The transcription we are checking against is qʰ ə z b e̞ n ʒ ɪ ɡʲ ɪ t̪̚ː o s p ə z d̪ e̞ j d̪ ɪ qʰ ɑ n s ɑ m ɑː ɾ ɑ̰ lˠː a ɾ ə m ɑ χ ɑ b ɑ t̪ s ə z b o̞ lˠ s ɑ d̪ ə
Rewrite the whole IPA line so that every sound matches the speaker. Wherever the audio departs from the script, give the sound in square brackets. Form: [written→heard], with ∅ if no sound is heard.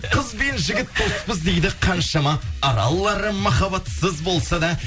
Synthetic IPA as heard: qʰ ə z b e̞ n ʒ ɪ ɡʲ ɪ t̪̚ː o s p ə z d̪ e̞ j d̪ ɪ qʰ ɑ n [s→ʃ] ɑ m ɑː ɾ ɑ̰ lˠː [a→ɑ] ɾ ə m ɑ χ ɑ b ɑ t̪ s ə z b o̞ lˠ s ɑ d̪ [ə→ɑ]